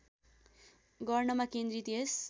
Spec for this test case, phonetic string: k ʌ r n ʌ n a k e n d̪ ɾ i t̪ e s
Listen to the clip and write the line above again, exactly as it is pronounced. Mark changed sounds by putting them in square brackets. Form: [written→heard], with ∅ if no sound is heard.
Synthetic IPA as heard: [k→ɡ] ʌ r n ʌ [n→m] a k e n d̪ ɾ i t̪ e s